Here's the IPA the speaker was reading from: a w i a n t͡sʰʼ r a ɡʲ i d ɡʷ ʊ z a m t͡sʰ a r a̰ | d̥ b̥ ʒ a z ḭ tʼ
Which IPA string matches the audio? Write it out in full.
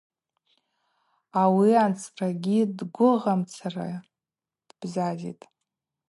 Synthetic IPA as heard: a w i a n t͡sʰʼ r a ɡʲ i d ɡʷ ʊ ʁ a m t͡sʰ a r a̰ | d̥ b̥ z a z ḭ tʼ

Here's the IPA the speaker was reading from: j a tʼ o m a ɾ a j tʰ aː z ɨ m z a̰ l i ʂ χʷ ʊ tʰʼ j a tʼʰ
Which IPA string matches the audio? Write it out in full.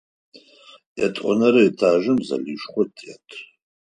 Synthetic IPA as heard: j a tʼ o n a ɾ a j tʰ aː ʒ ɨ m z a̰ l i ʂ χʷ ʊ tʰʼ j a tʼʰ

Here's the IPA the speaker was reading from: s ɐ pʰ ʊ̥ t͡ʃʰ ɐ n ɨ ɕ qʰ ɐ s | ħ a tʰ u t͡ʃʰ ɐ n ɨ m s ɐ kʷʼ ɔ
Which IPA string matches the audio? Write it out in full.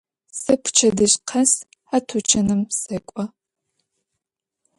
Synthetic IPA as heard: s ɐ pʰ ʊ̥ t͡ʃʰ ɐ d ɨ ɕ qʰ ɐ s | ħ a tʰ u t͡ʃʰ ɐ n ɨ m s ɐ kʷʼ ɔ

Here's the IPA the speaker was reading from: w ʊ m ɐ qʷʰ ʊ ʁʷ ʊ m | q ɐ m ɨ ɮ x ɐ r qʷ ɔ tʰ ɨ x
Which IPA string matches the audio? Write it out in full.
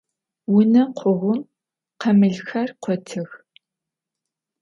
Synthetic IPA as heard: w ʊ n ɐ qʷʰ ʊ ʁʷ ʊ m | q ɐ m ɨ ɮ x ɐ r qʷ ɔ tʰ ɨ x

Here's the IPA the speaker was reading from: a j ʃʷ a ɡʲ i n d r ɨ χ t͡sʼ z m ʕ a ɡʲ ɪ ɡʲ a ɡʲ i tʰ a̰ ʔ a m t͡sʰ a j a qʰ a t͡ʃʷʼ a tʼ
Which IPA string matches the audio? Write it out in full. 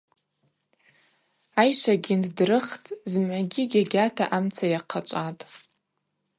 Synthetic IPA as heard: a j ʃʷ a ɡʲ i n d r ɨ χ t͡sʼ z m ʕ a ɡʲ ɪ ɡʲ a ɡʲ a tʰ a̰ ʔ a m t͡sʰ a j a qʰ a t͡ʃʷʼ a tʼ

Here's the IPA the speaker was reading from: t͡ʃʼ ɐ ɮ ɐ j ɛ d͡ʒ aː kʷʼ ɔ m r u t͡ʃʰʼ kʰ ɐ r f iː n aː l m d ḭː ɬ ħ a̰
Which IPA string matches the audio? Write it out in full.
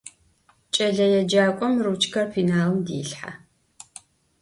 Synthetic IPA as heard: t͡ʃʼ ɐ ɮ ɐ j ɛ d͡ʒ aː kʷʼ ɔ m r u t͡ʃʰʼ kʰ ɐ r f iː n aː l m d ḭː ɬ ħ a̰

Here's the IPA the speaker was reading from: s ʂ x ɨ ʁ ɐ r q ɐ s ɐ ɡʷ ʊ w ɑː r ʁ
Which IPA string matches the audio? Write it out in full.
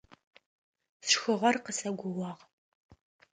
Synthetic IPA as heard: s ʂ x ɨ ʁ ɐ r q ə s ɐ ɡʷ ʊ w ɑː ʁ

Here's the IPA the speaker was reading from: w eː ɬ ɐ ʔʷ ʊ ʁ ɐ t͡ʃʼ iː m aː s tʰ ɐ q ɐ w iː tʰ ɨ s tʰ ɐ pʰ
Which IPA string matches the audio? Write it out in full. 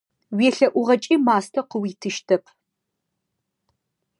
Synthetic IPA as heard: w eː ɬ ɐ ʔʷ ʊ ʁ ɐ t͡ʃʼ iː m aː s tʰ ɐ q ə w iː tʰ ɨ ʃ tʰ ɐ pʰ

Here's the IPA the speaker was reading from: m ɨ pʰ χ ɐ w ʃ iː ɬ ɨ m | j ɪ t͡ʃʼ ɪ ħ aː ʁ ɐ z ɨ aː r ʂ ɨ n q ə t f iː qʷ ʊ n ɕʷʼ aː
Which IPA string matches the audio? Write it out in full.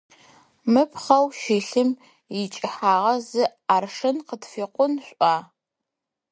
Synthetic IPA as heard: m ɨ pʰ χ ɐ w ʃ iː ɬ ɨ m | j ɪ t͡ʃʼ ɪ ħ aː ʁ ɐ z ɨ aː r ʂ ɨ n q ə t f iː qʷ ʊ n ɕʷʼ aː

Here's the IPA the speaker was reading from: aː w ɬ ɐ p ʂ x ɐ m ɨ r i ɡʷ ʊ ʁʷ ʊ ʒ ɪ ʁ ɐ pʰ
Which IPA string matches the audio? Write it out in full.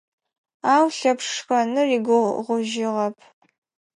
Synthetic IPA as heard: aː w ɬ ɐ p ʂ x ɐ n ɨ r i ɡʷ ʊ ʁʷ ʊ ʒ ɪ ʁ ɐ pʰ

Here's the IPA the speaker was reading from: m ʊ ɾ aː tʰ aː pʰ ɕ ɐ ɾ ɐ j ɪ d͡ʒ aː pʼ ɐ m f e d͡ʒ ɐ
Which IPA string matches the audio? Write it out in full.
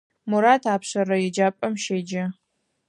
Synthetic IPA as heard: m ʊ ɾ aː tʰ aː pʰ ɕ ɐ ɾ ɐ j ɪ d͡ʒ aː pʼ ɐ m ʃ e d͡ʒ ɐ

